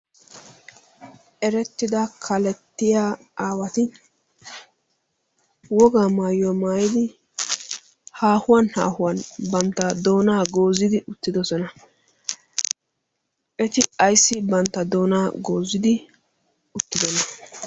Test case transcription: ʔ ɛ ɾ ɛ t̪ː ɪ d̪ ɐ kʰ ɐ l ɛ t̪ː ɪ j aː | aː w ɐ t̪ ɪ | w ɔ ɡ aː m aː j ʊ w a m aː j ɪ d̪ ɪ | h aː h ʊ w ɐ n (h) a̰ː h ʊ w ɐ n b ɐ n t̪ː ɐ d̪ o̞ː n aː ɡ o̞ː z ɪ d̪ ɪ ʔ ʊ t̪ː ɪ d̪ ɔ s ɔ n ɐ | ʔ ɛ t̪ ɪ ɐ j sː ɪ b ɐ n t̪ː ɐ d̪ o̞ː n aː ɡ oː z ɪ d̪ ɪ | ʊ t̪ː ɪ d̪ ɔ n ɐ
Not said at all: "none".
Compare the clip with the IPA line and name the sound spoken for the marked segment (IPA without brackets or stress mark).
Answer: h